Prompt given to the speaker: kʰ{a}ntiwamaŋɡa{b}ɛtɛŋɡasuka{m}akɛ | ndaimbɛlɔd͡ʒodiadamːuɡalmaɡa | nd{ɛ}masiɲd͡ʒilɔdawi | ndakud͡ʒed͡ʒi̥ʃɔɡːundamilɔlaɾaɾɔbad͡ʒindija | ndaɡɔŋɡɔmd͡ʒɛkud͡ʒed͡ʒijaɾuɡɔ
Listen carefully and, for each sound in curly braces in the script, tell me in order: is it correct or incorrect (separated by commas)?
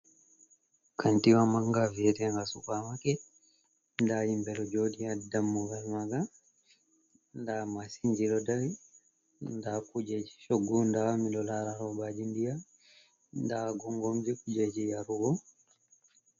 correct, incorrect, correct, incorrect